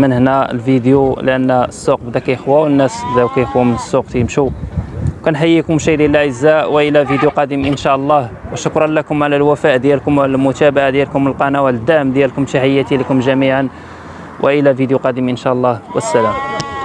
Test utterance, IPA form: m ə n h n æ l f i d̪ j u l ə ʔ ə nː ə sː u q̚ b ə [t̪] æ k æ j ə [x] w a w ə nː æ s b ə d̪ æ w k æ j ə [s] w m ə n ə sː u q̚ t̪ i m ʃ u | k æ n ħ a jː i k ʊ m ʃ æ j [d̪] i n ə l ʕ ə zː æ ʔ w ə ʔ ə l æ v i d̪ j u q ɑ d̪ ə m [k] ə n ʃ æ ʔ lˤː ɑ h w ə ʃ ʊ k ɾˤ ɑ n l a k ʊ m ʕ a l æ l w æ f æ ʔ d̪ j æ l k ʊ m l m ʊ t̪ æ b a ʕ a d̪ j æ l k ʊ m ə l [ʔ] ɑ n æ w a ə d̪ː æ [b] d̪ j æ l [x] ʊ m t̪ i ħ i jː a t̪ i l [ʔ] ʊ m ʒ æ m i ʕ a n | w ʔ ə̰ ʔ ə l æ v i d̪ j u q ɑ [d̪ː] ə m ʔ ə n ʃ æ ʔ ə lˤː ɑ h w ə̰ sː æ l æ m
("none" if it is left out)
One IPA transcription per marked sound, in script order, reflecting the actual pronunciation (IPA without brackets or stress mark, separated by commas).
d̪, x, x, d̪, ʔ, q, m, k, k, d̪